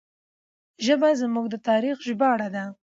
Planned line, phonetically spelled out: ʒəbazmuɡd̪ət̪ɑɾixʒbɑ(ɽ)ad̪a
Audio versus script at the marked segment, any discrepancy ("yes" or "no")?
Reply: no